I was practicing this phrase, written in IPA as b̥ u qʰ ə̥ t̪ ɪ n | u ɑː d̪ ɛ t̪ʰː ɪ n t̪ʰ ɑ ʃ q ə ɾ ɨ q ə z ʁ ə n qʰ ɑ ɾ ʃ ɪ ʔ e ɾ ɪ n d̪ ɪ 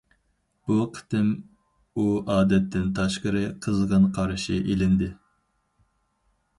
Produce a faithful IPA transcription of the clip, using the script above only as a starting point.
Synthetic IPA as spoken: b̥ u qʰ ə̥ t̪ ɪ m | u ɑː d̪ ɛ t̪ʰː ɪ n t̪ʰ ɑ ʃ q ə ɾ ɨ qʰ ə z ʁ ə n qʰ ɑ ɾ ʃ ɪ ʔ e l ɪ n d̪ ɪ